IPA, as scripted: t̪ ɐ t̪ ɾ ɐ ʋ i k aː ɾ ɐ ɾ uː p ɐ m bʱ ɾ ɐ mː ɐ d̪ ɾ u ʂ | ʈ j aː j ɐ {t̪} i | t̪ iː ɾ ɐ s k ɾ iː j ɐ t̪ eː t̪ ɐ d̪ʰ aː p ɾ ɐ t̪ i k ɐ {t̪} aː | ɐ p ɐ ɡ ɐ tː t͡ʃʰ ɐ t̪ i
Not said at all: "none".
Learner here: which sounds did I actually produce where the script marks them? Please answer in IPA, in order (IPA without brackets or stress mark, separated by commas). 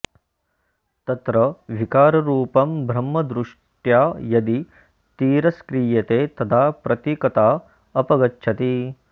d̪, t̪